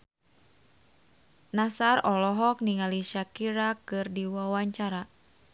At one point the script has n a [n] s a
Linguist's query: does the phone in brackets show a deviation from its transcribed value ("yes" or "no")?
yes